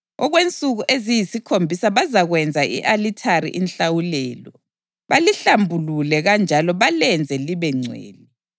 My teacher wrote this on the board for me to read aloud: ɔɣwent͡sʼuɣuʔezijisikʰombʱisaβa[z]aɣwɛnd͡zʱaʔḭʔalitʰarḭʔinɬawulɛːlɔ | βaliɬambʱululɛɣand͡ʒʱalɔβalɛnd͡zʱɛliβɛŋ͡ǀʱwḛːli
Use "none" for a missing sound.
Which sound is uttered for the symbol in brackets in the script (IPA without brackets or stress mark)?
z